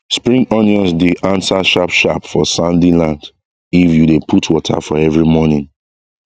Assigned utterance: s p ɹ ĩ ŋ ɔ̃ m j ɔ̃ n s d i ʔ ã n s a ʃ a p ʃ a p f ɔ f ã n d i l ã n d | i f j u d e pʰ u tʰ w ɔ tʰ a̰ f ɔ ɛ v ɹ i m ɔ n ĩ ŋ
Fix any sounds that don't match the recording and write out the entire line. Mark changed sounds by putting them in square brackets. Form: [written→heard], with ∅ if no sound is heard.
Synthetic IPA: s p ɹ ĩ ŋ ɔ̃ [m→n] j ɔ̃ n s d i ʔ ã n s a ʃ a p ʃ a p f ɔ [f→s] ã n d i l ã n d | i f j u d e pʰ u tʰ w ɔ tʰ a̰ f ɔ ɛ v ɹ i m ɔ n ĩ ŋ